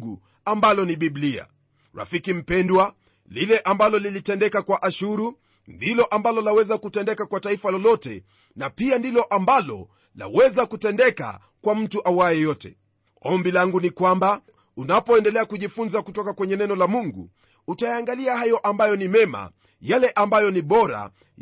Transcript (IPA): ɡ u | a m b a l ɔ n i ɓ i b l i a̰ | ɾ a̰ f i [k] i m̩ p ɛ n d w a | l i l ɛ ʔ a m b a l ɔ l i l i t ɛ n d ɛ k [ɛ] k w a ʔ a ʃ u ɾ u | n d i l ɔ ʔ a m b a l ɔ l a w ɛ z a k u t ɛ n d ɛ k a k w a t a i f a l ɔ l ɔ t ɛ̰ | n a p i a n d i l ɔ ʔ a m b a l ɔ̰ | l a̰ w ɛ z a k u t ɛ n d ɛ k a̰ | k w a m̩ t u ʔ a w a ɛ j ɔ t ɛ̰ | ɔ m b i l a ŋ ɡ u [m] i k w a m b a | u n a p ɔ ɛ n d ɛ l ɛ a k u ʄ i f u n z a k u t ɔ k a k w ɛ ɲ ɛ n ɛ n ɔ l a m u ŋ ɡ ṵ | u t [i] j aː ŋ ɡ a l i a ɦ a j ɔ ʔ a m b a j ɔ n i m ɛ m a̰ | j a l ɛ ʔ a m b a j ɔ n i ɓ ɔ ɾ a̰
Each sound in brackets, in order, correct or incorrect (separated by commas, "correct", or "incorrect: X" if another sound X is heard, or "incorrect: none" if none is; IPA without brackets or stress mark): correct, incorrect: a, incorrect: n, incorrect: a